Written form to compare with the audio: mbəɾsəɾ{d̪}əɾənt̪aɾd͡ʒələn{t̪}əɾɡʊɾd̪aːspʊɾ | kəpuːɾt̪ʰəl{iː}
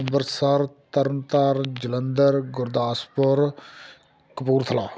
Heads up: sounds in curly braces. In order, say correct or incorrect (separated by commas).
incorrect, incorrect, incorrect